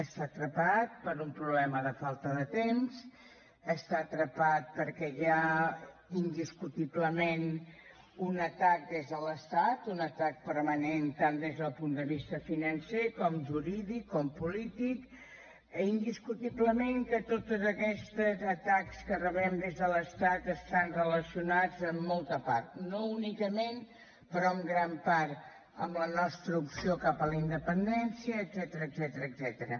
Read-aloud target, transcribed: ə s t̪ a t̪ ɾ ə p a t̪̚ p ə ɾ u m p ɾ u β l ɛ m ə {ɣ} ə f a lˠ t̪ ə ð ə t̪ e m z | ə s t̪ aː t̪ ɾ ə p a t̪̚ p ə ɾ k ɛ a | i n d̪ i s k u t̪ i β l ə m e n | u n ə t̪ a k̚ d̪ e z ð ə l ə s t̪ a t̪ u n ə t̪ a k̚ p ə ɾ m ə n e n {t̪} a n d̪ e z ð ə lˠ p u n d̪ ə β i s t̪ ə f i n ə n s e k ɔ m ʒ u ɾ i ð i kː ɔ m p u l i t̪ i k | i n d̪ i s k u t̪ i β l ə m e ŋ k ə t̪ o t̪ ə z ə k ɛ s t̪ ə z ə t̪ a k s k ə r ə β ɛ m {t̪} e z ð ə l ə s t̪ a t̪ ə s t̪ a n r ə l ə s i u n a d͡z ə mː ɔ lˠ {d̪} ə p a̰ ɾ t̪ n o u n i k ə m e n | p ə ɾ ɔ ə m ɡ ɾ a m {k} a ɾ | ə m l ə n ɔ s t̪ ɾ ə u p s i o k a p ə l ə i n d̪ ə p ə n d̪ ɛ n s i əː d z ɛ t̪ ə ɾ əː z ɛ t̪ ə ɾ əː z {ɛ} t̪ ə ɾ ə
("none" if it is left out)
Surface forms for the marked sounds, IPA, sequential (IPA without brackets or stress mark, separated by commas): ð, t̪, d̪, t̪, p, ɛ